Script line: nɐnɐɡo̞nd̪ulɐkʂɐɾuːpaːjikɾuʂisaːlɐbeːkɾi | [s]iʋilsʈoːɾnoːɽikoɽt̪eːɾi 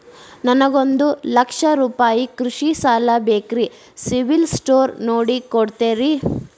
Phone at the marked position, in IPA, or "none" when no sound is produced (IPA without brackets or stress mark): s